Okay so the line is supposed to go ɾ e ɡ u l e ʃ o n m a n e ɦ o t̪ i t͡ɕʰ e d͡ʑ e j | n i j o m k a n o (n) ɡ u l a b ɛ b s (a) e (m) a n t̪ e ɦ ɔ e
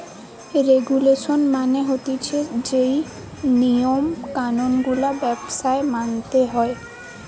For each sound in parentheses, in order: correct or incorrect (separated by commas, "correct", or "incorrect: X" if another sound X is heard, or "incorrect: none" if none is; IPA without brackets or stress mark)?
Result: correct, correct, correct